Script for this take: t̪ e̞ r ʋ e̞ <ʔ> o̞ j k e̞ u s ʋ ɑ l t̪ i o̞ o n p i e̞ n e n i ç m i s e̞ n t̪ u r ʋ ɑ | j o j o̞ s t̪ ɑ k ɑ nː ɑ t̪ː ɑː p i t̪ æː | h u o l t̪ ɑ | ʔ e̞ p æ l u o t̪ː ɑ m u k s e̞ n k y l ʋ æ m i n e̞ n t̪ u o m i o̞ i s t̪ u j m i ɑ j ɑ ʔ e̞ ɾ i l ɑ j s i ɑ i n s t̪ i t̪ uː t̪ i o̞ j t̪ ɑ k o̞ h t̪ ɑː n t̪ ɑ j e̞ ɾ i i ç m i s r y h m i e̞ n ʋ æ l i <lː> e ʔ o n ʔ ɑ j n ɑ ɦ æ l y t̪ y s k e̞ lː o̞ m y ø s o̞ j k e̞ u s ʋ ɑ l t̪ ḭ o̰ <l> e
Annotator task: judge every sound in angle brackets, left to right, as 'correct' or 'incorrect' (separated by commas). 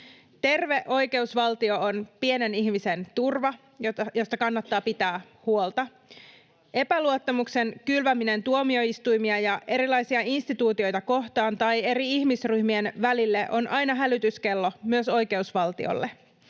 correct, correct, incorrect